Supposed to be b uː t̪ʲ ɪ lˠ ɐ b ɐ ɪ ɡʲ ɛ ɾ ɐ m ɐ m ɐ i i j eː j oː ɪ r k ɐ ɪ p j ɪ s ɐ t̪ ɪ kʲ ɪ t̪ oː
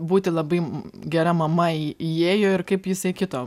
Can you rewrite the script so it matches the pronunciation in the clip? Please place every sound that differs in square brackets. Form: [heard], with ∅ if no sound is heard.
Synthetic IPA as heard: b uː t̪ʲ ɪ lˠ ɐ b ɐ ɪ ɡʲ ɛ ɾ ɐ m ɐ m ɐ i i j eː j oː ɪ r k ɐ ɪ p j ɪ s ɐ [∅] ɪ kʲ ɪ t̪ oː